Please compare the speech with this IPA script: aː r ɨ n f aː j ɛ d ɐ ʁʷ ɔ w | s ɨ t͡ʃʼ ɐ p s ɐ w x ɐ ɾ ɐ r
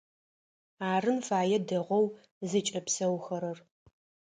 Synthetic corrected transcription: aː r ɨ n f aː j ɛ d ɐ ʁʷ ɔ w | z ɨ t͡ʃʼ ɐ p s ɐ w x ɐ ɾ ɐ r